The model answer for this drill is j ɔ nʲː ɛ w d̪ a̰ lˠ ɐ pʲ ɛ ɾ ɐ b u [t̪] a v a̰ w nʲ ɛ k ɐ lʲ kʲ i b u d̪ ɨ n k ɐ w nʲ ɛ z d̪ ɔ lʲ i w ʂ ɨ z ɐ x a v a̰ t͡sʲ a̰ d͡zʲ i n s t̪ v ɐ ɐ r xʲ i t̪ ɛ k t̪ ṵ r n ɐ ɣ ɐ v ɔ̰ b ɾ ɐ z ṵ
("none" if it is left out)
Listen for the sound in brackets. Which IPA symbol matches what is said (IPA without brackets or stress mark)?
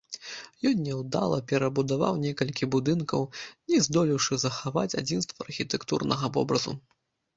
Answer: d̪